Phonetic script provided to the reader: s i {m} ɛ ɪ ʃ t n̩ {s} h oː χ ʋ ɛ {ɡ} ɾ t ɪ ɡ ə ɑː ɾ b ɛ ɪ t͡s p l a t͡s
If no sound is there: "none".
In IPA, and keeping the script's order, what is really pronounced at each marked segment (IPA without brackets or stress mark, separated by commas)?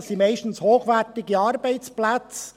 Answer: m, s, none